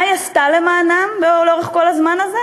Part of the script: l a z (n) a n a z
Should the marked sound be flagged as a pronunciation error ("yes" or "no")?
yes